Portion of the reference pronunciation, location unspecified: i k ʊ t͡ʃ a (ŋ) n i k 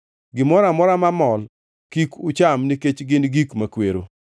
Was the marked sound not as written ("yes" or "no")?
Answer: yes